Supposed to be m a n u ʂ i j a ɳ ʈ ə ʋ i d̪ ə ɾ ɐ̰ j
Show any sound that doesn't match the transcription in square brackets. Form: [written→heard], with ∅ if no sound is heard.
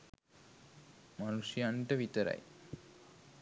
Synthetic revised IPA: m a n u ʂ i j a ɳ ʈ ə ʋ i [d̪→t̪] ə ɾ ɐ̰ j